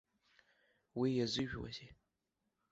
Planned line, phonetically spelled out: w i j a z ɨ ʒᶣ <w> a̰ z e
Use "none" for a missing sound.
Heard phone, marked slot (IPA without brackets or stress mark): w